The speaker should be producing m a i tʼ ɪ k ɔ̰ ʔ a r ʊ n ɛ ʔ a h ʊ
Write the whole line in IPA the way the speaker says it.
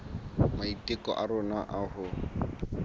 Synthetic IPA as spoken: m a i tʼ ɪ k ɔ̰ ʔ a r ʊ n a ʔ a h ʊ